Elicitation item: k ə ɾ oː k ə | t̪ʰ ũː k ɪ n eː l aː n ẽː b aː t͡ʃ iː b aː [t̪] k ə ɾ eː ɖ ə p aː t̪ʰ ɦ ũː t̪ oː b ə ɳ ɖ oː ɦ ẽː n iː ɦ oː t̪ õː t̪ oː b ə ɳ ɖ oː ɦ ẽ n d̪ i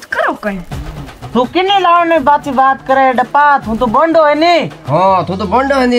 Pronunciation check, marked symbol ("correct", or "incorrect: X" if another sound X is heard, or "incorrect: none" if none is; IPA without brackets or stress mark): correct